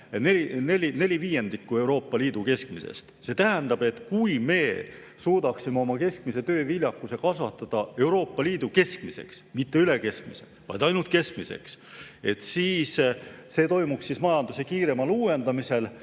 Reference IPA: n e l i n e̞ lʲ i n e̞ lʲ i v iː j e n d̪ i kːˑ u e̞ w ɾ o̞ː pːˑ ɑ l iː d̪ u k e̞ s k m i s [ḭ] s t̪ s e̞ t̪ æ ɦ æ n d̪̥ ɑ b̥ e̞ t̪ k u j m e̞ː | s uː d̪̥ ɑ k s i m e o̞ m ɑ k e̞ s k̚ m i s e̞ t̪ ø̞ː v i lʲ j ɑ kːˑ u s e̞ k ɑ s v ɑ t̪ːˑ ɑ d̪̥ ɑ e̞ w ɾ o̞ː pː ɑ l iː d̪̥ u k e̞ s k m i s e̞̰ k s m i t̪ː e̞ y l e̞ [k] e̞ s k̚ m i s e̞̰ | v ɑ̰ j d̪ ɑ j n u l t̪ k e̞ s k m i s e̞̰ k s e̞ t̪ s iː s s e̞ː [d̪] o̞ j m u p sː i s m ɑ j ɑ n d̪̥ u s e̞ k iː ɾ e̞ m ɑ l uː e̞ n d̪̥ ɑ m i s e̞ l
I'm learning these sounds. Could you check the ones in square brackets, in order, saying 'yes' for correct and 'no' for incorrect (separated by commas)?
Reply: no, yes, no